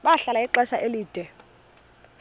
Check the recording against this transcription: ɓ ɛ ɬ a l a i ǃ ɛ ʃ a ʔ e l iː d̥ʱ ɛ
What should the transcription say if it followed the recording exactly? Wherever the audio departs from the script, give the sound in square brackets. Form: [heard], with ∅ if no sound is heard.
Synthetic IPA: ɓ [a] ɬ a l a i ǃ ɛ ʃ a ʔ e l iː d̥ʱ ɛ

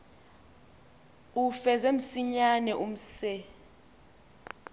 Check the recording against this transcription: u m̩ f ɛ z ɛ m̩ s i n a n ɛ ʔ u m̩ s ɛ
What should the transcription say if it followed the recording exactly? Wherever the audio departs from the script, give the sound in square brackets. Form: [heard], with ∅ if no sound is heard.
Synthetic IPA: u [∅] f ɛ z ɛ m̩ s i [ɲ] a n ɛ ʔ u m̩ s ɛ

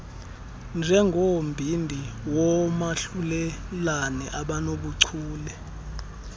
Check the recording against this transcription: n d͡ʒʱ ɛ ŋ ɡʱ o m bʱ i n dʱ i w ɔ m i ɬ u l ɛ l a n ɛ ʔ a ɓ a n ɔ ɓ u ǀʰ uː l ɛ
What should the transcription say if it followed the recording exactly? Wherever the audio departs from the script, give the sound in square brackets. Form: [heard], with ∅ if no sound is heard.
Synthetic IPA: n d͡ʒʱ ɛ ŋ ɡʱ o m bʱ i n dʱ i w ɔ m [a] ɬ u l ɛ l a n ɛ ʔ a ɓ a n [o] ɓ u ǀʰ uː l ɛ

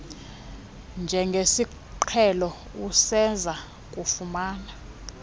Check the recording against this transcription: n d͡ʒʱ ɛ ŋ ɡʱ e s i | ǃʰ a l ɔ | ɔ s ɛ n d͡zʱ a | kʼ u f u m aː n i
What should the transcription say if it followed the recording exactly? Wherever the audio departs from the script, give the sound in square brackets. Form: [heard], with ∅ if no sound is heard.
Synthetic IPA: n d͡ʒʱ ɛ ŋ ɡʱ e s i | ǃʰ [ɛ] l ɔ | [u] s ɛ n d͡zʱ a | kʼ u f u m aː n [a]

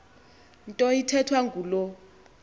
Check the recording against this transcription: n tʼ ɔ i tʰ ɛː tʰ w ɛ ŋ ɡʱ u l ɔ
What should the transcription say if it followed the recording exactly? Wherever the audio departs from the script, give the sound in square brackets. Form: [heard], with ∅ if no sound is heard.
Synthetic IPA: n tʼ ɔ i tʰ [ɛ] tʰ w [a] ŋ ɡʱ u l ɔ

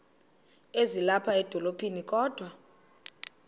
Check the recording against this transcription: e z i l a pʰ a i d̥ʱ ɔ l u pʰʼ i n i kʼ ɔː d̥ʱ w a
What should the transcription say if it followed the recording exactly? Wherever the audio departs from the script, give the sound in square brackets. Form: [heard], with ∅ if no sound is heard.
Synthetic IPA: e z i l a pʰ a [ɛ] d̥ʱ ɔ l [o] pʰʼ i n i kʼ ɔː d̥ʱ w a

